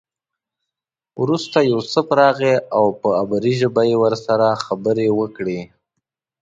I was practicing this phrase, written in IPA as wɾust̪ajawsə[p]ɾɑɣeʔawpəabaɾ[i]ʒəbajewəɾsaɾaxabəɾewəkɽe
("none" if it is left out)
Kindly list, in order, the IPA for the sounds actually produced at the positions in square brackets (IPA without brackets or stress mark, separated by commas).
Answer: p, i